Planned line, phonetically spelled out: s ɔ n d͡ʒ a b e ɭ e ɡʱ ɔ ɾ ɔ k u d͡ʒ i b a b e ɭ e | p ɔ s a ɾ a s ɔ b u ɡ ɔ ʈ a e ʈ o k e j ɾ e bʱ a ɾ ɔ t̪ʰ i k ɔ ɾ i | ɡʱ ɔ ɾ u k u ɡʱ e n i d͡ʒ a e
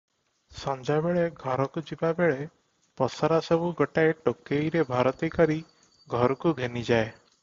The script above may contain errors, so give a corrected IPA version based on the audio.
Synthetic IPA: s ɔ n d͡ʒ a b e ɭ e ɡʱ ɔ ɾ ɔ k u d͡ʒ i b a b e ɭ e | p ɔ s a ɾ a s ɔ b u ɡ ɔ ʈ a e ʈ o k e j ɾ e bʱ a ɾ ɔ t̪ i k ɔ ɾ i | ɡʱ ɔ ɾ ɔ k u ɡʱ e n i d͡ʒ a e